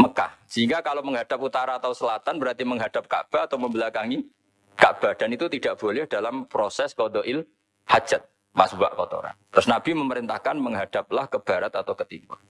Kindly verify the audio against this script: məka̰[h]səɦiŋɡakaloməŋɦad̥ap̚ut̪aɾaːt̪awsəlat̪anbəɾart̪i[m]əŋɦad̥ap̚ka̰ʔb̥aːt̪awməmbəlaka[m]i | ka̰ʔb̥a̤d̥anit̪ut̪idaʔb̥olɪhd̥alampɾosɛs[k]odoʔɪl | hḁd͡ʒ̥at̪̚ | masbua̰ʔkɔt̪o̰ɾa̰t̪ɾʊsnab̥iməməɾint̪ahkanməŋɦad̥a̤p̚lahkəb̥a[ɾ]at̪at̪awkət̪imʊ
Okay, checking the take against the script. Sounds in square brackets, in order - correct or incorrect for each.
correct, correct, incorrect: ŋ, correct, correct

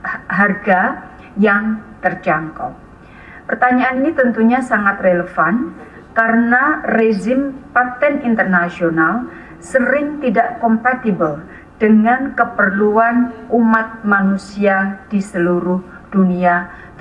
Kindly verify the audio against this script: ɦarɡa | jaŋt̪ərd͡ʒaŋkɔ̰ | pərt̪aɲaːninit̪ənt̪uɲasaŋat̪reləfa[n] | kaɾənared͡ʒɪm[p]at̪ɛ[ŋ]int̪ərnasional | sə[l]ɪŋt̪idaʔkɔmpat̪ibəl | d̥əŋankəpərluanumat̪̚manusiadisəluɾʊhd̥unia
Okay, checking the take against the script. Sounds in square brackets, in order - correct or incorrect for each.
correct, correct, incorrect: n, incorrect: ɾ

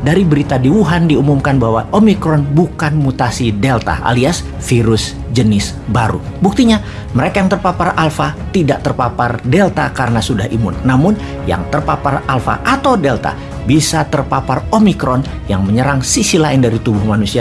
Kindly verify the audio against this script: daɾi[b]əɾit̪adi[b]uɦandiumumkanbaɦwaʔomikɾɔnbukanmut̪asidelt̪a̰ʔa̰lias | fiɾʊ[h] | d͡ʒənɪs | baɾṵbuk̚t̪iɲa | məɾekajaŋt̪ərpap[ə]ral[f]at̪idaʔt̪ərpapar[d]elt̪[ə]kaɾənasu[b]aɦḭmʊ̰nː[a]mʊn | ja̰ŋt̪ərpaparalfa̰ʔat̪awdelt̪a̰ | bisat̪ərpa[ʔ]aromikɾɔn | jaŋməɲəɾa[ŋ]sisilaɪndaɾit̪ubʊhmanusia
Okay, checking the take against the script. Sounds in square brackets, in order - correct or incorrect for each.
correct, incorrect: w, incorrect: s, incorrect: a, correct, correct, incorrect: a, incorrect: d, correct, incorrect: p, correct

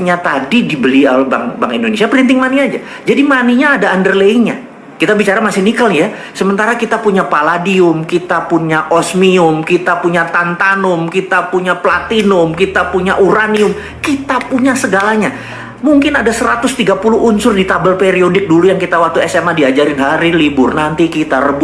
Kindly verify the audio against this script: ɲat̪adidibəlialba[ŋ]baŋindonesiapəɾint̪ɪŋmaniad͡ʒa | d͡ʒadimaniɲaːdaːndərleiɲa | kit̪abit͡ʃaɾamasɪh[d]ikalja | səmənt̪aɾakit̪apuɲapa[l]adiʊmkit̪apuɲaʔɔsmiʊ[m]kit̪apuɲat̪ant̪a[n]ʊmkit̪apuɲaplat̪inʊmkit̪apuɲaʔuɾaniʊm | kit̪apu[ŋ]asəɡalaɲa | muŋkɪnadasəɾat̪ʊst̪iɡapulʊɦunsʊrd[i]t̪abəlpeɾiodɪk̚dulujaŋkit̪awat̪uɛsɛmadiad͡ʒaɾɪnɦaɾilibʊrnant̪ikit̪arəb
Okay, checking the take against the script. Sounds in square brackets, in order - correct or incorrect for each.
correct, incorrect: n, correct, correct, correct, incorrect: ɲ, correct

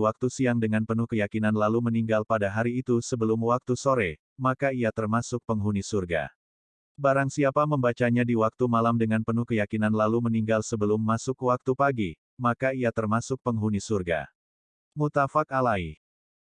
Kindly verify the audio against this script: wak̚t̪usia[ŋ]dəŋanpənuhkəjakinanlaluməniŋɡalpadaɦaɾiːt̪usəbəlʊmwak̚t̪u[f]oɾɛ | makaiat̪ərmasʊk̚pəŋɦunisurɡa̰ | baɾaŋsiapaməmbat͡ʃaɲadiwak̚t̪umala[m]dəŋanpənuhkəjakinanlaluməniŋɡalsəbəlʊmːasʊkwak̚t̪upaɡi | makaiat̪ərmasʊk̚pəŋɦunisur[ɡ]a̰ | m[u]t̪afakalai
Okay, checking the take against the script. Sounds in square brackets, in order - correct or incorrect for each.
correct, incorrect: s, correct, correct, correct

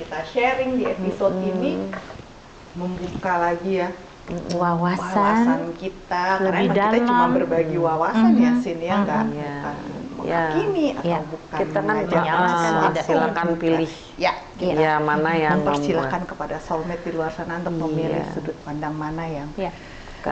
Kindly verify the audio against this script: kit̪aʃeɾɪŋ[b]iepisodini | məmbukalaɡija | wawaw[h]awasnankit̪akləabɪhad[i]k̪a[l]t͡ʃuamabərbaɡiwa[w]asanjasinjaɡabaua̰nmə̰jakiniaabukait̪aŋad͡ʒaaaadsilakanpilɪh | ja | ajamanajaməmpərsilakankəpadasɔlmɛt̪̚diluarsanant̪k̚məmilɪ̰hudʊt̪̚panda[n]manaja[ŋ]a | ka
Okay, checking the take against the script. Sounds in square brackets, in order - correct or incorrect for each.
incorrect: d, incorrect: s, incorrect: a, correct, correct, incorrect: ŋ, correct

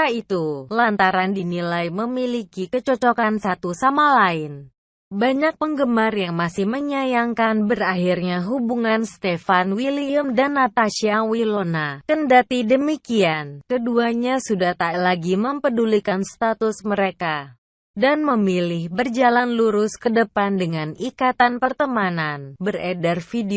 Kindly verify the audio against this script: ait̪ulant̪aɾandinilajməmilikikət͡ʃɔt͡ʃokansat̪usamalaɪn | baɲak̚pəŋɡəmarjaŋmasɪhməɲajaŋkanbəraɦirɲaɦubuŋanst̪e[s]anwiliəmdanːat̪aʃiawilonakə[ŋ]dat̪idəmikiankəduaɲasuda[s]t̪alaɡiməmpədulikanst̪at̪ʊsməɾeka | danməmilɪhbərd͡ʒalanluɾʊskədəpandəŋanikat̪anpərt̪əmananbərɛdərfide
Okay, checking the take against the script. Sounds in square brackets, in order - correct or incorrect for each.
incorrect: f, incorrect: n, incorrect: h

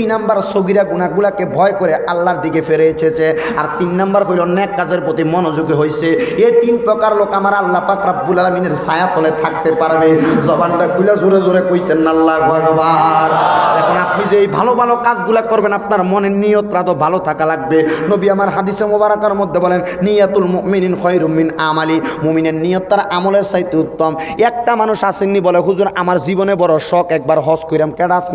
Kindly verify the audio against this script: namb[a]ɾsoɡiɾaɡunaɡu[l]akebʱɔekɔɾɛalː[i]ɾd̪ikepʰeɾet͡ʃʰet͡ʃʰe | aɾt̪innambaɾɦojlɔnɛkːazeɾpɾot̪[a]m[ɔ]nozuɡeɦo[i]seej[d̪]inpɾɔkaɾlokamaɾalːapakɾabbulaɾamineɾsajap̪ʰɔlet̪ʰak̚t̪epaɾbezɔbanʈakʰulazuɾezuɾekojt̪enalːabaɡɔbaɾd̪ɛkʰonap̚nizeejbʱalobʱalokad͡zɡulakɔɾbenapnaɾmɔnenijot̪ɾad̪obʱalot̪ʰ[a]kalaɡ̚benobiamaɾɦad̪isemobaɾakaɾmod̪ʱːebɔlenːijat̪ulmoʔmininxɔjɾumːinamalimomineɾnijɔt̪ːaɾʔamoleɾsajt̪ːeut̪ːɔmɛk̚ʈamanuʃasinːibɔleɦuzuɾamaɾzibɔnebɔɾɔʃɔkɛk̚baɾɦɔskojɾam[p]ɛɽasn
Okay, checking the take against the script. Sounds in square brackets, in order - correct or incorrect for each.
correct, correct, incorrect: a, incorrect: i, correct, incorrect: j, incorrect: t̪, correct, incorrect: k

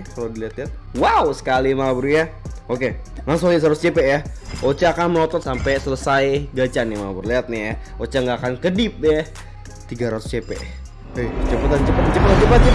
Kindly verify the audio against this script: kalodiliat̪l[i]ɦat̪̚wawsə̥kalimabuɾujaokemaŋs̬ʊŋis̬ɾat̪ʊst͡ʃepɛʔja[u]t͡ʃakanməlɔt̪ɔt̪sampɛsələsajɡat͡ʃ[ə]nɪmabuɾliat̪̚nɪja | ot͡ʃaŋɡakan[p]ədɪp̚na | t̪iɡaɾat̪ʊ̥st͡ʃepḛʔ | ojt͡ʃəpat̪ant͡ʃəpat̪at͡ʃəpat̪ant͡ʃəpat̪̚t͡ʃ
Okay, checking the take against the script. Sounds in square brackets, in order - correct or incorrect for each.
correct, incorrect: o, incorrect: a, incorrect: k

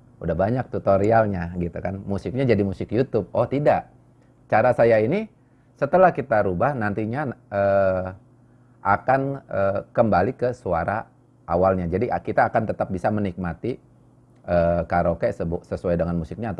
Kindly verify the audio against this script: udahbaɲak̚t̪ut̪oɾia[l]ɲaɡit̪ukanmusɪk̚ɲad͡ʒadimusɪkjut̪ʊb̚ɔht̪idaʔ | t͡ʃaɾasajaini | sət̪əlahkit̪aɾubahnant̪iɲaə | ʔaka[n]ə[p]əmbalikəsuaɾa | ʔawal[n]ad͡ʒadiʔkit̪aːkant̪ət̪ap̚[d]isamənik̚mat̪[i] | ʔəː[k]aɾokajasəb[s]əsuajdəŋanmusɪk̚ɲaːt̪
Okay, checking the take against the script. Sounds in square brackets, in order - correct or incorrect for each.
correct, correct, incorrect: k, incorrect: ɲ, incorrect: b, correct, correct, correct

